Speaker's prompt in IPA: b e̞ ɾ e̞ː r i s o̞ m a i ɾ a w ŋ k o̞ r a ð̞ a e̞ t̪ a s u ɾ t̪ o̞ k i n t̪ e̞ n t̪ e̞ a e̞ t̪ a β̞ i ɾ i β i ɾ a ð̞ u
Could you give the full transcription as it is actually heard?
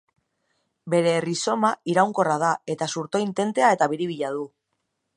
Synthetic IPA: b e̞ ɾ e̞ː r i s o̞ m a i ɾ a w ŋ k o̞ r a ð̞ a e̞ t̪ a s u ɾ t̪ o̞ i n t̪ e̞ n t̪ e̞ a e̞ t̪ a β̞ i ɾ i β i ʎ a ð̞ u